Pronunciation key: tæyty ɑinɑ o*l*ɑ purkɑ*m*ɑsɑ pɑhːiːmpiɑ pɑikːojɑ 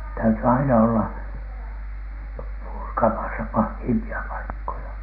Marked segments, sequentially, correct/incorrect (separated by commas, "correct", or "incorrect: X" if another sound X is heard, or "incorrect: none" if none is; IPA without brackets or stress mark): incorrect: lː, correct